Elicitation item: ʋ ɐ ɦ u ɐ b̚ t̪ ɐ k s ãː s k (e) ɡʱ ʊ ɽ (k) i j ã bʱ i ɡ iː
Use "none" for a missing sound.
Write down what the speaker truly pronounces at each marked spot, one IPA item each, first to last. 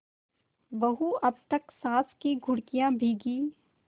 i, k

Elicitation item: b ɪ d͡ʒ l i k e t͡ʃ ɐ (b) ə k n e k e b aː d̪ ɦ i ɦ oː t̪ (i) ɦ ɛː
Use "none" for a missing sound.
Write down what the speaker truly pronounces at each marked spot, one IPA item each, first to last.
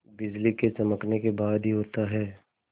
m, a

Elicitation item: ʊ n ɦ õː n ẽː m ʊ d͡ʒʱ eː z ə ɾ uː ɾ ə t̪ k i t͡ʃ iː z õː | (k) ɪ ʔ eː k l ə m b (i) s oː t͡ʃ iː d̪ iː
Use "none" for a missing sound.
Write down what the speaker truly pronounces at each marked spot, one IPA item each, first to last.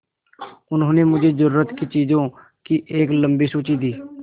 k, iː

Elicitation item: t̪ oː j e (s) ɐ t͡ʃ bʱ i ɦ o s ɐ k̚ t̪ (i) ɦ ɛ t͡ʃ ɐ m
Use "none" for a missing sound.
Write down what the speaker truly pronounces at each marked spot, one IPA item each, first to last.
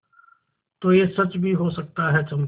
s, a

